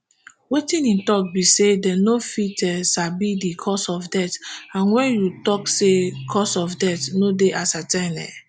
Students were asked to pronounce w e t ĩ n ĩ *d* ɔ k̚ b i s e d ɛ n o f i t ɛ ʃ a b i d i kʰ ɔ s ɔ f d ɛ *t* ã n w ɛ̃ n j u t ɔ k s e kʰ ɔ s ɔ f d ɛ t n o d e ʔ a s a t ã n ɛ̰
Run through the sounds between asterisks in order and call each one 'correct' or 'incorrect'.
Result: incorrect: t, correct

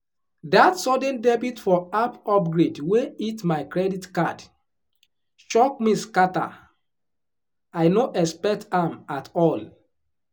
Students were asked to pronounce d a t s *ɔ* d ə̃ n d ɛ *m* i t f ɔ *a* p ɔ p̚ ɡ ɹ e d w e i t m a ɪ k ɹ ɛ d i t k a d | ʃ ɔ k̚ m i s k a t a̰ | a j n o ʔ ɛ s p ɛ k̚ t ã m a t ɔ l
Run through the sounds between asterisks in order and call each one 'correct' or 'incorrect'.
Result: correct, incorrect: b, correct

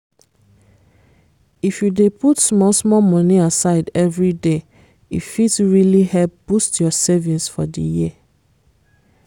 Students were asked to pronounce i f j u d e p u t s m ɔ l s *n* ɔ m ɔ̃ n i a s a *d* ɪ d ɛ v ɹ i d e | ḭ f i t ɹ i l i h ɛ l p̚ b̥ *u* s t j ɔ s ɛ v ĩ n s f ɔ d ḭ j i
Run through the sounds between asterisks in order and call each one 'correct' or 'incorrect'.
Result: incorrect: m, incorrect: none, correct

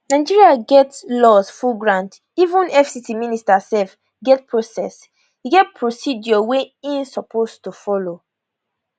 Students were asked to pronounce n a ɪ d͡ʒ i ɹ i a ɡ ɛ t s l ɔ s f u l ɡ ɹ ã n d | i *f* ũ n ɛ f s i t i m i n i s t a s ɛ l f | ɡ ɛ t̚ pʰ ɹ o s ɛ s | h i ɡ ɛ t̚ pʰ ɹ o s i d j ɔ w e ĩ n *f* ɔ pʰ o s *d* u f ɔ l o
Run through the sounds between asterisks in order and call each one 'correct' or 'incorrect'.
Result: incorrect: v, incorrect: s, incorrect: t

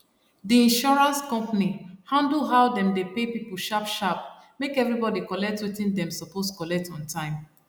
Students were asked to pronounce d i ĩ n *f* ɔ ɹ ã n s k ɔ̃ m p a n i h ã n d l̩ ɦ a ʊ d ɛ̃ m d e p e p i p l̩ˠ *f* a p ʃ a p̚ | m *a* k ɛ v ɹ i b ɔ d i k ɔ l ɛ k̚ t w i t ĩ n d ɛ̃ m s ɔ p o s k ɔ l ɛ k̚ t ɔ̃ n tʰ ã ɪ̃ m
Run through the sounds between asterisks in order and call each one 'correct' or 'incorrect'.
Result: incorrect: ʃ, incorrect: ʃ, incorrect: e

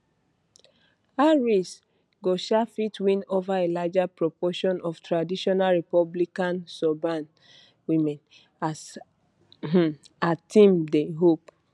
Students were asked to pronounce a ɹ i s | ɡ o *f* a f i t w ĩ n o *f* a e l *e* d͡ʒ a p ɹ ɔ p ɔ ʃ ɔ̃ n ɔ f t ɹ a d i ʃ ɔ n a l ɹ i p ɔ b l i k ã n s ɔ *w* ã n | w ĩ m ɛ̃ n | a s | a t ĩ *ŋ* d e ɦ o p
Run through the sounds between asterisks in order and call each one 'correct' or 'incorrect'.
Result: incorrect: ʃ, incorrect: v, incorrect: a, incorrect: b, incorrect: m

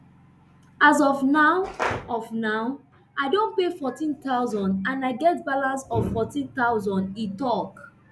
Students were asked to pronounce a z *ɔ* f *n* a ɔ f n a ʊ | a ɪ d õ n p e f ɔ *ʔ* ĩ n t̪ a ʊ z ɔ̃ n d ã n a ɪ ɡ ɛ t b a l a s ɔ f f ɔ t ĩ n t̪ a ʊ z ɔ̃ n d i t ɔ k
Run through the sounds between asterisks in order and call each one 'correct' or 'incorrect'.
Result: correct, correct, incorrect: t

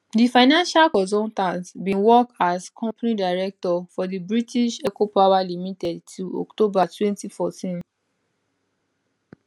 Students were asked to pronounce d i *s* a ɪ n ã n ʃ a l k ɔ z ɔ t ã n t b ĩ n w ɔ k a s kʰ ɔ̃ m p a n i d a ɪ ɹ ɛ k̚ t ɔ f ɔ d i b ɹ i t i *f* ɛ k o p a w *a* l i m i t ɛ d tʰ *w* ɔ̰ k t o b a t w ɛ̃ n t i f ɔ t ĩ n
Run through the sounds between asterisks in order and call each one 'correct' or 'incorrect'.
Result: incorrect: f, incorrect: ʃ, correct, incorrect: u

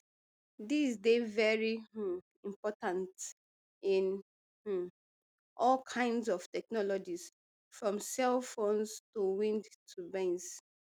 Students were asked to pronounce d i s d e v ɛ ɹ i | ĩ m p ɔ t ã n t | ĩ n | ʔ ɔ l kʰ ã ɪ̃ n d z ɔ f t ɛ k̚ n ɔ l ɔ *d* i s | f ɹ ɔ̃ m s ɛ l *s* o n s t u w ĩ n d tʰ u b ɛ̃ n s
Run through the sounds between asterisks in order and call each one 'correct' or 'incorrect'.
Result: incorrect: d͡ʒ, incorrect: f

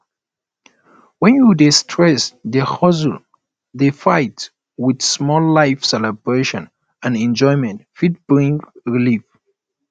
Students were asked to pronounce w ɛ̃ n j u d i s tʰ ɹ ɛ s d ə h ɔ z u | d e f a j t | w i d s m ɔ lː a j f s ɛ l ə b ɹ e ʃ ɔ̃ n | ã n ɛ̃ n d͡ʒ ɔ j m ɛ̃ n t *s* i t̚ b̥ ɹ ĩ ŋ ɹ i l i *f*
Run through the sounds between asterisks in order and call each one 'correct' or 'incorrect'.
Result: incorrect: f, correct

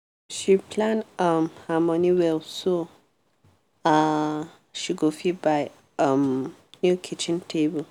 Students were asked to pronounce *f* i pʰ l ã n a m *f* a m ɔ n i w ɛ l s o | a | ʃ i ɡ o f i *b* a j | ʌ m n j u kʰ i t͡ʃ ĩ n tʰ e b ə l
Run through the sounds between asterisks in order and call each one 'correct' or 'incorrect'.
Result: incorrect: ʃ, incorrect: h, correct

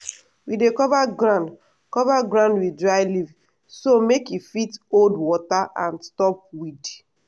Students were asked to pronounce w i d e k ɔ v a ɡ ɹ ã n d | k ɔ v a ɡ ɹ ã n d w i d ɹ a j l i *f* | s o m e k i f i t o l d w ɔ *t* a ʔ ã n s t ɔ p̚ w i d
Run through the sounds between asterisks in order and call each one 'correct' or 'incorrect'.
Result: incorrect: v, correct

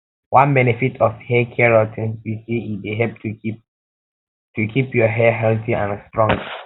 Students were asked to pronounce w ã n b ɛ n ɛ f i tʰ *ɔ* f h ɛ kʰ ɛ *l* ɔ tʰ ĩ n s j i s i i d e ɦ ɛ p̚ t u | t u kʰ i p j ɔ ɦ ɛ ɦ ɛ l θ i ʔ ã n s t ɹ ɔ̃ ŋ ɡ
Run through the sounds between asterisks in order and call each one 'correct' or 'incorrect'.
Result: correct, incorrect: ɹ

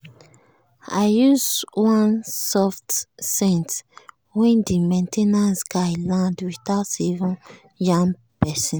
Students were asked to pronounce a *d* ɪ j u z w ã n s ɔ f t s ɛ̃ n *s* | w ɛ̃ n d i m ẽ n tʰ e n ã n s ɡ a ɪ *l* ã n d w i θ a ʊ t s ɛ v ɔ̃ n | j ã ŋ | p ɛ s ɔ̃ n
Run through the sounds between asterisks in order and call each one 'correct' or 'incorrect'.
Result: incorrect: none, incorrect: t, correct

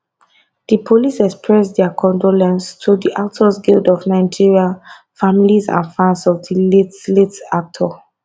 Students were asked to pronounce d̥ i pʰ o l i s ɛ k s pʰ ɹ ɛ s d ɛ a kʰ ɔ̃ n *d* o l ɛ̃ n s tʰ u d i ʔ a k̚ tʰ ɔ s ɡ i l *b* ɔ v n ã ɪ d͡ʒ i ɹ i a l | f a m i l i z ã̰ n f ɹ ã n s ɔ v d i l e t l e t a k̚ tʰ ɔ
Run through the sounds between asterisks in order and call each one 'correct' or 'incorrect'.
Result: correct, incorrect: d

